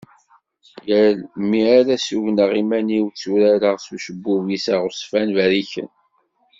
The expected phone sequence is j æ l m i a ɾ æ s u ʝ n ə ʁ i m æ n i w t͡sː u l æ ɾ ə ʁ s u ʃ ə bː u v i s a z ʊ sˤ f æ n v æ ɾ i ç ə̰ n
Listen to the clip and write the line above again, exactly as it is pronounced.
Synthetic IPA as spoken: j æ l m i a ɾ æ s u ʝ n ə ʁ i m æ n i w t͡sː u ɾ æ ɾ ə ʁ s u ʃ ə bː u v i s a ʁ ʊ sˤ f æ n v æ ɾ i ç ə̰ n